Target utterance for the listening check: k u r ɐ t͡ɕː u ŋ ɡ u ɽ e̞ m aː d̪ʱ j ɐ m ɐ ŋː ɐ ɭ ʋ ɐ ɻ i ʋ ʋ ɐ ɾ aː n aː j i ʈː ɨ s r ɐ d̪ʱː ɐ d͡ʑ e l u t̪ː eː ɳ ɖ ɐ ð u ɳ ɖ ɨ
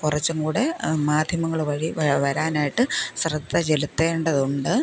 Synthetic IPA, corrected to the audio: k u r ɐ t͡ɕː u ŋ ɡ uː ɽ e̞ m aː d̪ʱ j ɐ m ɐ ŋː ɐ ɭ ʋ ɐ ɻ i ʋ ʋ ɐ ɾ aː n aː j i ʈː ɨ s r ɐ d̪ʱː ɐ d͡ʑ e l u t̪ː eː ɳ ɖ ɐ ð u ɳ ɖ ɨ